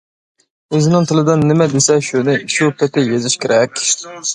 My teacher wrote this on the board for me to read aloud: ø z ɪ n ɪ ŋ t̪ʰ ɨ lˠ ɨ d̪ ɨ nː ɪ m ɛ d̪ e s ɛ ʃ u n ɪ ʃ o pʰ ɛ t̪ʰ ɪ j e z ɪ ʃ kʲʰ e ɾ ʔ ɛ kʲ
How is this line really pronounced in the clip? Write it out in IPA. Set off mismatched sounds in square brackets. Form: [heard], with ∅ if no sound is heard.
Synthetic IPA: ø z ɪ n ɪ ŋ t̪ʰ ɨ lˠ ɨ d̪ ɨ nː ɪ m ɛ d̪ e s ɛ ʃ u n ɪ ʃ [u] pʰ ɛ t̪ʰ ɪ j e z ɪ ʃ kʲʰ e ɾ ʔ ɛ kʲ